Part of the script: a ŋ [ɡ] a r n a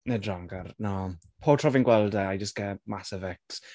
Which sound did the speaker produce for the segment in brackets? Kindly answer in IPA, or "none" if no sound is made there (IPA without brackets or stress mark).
ɡ